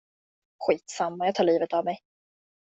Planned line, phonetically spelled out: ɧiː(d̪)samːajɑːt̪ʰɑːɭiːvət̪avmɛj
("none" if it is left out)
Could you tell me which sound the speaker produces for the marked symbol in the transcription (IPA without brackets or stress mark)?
t̪